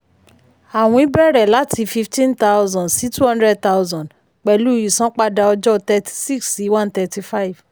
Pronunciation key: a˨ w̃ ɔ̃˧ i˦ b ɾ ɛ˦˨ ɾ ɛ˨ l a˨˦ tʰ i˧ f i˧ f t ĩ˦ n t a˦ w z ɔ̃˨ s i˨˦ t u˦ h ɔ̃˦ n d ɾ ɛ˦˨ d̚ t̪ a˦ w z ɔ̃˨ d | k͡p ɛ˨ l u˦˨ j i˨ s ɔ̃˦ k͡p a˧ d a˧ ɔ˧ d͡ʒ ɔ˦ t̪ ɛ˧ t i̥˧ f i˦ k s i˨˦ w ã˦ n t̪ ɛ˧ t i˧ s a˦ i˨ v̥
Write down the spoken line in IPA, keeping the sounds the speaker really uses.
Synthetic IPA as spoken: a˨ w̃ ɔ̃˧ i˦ b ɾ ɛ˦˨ ɾ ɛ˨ l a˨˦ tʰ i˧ f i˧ f t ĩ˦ n t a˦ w z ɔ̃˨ s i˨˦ t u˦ h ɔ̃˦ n d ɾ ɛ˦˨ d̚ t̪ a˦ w z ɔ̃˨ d | k͡p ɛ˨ l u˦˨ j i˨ s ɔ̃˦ k͡p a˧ d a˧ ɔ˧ d͡ʒ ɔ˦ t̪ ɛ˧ t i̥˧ s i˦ k s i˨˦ w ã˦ n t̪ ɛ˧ t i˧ f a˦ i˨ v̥